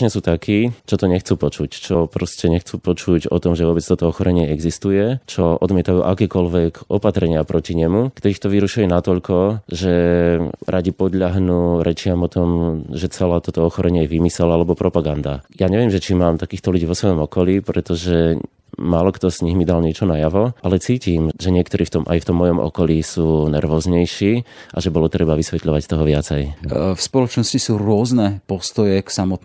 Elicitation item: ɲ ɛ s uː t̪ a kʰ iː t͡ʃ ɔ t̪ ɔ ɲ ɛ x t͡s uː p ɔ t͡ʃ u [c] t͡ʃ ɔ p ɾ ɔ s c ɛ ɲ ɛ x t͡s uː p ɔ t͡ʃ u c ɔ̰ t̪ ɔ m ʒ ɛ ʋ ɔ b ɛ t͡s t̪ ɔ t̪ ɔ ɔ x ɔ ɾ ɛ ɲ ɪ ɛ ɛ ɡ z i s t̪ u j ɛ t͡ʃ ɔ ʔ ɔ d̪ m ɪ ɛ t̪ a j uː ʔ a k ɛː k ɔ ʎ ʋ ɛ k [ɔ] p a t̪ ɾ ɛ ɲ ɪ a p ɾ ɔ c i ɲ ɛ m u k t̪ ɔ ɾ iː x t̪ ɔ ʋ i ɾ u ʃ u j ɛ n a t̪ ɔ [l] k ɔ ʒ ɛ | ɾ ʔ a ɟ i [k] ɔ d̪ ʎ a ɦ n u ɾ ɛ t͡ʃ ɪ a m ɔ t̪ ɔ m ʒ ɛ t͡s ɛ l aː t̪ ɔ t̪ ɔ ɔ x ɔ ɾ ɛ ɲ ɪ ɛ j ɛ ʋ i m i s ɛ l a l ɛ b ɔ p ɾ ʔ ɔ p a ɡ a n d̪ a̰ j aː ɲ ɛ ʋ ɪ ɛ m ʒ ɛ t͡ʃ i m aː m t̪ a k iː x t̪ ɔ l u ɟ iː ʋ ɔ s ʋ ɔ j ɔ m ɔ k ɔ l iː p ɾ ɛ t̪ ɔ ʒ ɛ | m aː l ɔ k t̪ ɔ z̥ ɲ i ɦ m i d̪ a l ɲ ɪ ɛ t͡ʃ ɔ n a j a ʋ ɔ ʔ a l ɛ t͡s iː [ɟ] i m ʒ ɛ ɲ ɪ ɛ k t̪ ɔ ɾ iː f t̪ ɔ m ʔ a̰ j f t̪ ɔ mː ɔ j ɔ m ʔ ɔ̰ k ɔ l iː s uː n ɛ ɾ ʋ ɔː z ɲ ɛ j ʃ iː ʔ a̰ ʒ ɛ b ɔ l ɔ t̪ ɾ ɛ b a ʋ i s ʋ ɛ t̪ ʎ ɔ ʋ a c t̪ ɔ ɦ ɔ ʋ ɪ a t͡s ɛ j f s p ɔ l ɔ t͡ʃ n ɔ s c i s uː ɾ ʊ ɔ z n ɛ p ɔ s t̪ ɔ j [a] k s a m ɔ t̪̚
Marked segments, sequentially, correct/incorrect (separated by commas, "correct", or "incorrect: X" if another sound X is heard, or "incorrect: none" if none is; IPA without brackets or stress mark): correct, correct, incorrect: ʎ, incorrect: p, incorrect: c, incorrect: ɛ